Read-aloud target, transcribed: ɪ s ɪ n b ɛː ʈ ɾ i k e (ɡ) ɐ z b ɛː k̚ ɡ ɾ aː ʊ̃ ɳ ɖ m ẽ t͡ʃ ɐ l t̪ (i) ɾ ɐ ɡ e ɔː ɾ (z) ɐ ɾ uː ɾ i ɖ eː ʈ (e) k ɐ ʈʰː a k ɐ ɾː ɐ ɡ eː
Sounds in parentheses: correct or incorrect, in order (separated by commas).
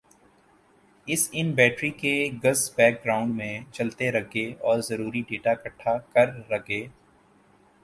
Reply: correct, incorrect, correct, incorrect